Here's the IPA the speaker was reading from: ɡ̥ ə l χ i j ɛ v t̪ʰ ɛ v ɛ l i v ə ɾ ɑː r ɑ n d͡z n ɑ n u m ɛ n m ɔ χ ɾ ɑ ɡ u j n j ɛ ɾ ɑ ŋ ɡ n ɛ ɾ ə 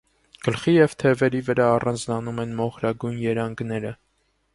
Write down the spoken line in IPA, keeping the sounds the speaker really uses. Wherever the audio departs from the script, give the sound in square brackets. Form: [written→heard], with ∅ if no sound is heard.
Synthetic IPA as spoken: ɡ̥ ə l χ i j ɛ v t̪ʰ ɛ v ɛ [l→ɾ] i v ə ɾ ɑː r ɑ n d͡z n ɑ n u m ɛ n m ɔ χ ɾ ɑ ɡ u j n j ɛ ɾ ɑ ŋ ɡ n ɛ ɾ ə